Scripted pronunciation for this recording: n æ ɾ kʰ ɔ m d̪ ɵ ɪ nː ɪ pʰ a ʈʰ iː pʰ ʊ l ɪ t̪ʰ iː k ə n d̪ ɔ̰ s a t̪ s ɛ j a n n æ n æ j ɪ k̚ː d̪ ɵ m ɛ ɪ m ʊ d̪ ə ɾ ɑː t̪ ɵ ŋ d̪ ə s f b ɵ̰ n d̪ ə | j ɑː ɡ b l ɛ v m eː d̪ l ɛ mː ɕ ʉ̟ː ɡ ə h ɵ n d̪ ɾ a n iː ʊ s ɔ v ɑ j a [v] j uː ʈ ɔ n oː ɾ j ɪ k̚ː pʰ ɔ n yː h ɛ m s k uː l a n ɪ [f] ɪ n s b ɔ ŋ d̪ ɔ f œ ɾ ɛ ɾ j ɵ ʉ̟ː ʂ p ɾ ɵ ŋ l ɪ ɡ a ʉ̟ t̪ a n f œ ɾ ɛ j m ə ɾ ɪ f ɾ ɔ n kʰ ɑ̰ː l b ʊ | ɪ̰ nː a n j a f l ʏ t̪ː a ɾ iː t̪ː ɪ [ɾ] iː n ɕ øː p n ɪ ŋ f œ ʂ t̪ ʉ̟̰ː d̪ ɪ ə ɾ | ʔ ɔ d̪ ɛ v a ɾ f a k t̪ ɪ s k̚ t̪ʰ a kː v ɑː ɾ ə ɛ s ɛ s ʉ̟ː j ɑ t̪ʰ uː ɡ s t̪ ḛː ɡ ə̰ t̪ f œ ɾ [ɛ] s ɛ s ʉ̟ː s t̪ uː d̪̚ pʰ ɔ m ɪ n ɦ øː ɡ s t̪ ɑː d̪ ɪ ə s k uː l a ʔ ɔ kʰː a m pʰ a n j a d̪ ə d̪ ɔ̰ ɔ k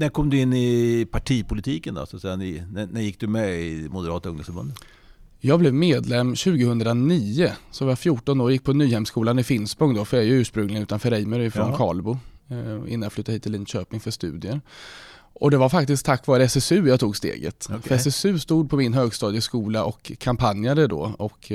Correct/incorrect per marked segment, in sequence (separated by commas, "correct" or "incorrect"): incorrect, correct, incorrect, correct